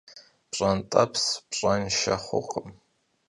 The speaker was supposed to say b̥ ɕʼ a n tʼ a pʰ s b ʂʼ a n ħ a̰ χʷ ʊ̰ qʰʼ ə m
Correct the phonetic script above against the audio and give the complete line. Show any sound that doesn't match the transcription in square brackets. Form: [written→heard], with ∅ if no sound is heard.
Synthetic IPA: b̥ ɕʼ a n tʼ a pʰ s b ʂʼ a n [ħ→ʃ] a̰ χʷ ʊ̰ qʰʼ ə m